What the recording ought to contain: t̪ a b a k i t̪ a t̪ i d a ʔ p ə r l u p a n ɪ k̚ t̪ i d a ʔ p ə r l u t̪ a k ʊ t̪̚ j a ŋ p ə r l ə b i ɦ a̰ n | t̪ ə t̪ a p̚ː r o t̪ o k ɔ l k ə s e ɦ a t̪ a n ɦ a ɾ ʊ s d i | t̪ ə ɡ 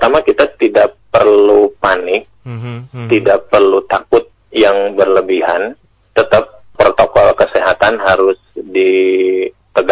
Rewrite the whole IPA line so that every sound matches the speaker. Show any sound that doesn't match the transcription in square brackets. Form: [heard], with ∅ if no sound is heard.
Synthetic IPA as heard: t̪ a [m] a k i t̪ a t̪ i d a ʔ p ə r l u p a n ɪ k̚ t̪ i d a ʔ p ə r l u t̪ a k ʊ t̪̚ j a ŋ [b] ə r l ə b i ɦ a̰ n | t̪ ə t̪ a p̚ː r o t̪ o k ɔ l k ə s e ɦ a t̪ a n ɦ a ɾ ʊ s d i | t̪ ə ɡ